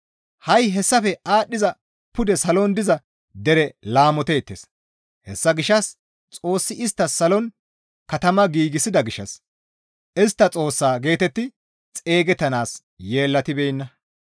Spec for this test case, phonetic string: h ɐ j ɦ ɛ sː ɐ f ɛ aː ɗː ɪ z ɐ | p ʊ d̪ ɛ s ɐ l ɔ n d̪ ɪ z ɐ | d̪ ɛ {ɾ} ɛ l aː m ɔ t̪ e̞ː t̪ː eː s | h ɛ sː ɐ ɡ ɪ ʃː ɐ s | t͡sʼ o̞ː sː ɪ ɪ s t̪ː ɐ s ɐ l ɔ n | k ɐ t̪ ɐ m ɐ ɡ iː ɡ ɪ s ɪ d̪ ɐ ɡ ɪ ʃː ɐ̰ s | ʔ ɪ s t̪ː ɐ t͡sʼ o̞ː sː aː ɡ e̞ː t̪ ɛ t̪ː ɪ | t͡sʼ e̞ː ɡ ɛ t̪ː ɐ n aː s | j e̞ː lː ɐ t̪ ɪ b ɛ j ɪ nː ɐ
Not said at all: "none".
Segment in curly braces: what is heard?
ɾ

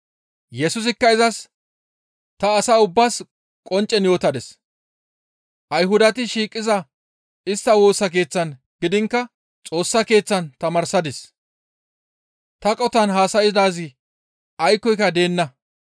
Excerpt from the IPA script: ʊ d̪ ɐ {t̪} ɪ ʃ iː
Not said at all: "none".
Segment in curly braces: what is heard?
t̪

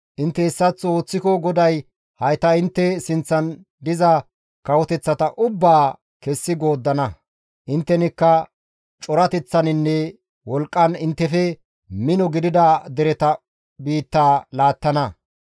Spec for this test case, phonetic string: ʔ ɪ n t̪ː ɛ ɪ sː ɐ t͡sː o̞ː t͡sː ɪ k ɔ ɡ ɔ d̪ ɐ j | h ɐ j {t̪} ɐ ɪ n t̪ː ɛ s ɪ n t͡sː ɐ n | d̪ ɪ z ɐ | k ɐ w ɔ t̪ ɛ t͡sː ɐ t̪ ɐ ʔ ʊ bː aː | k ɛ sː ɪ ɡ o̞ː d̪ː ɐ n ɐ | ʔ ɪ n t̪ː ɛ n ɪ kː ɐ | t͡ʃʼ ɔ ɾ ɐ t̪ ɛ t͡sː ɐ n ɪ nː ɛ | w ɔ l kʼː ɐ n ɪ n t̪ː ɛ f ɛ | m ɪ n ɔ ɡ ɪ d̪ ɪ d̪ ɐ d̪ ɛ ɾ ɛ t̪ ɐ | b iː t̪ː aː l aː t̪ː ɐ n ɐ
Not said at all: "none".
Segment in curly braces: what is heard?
t̪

